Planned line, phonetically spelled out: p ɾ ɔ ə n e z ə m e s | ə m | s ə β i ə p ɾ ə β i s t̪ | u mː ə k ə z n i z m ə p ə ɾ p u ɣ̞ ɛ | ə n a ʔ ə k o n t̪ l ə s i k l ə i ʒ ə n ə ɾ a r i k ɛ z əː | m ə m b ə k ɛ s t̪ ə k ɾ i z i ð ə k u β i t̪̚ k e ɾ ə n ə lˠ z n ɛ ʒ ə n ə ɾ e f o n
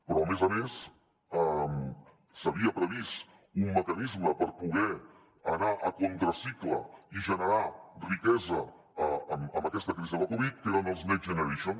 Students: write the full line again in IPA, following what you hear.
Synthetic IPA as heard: p ɾ ɔ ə m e z ə m e s | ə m | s ə β i ə p ɾ ə β i s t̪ | u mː ə k ə n i z m ə p ə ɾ p u ɣ̞ ɛ | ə n a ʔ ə k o n t̪ ɾ ə s i k l ə i ʒ ə n ə ɾ a r i k ɛ z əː | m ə m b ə k ɛ s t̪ ə k ɾ i z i ð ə k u β i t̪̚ k e ɾ ə n ə lˠ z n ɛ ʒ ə n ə ɾ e ʃ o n